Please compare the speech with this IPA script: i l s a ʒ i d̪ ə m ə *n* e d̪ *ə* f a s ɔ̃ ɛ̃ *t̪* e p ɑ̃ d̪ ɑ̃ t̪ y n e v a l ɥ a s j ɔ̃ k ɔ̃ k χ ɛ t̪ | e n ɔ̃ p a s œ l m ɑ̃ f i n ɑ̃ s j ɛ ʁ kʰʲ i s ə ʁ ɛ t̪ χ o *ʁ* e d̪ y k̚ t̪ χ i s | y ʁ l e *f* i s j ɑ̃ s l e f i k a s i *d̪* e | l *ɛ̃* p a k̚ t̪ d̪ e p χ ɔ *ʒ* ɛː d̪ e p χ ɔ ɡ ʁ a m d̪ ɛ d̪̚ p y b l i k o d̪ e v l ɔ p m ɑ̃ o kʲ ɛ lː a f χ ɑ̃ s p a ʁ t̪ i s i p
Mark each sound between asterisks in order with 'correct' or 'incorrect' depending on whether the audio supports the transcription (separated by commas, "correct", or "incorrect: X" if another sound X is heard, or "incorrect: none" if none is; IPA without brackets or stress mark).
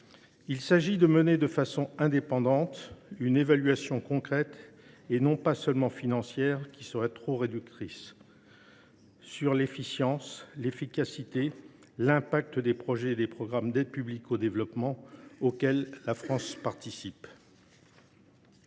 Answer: correct, correct, incorrect: d̪, correct, correct, incorrect: t̪, correct, correct